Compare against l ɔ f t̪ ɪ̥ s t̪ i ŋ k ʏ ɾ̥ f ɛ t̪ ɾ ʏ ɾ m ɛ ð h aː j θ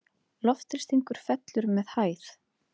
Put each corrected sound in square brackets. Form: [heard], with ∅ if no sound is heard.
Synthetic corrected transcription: l ɔ f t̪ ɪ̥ s t̪ i ŋ k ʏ ɾ̥ f ɛ t̪ [l] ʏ ɾ m ɛ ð h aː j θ